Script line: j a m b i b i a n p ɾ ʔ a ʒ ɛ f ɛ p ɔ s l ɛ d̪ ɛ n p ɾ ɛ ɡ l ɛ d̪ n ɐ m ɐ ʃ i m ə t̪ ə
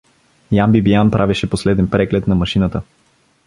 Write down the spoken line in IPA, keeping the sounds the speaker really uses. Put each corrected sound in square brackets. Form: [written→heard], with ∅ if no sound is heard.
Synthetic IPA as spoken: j a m b i b i a n p ɾ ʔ a [ʒ→v] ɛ [f→ʃ] ɛ p [ɔ→o] s l ɛ d̪ ɛ n p ɾ ɛ ɡ l ɛ [d̪→t̪] n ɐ m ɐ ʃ i [m→n] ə t̪ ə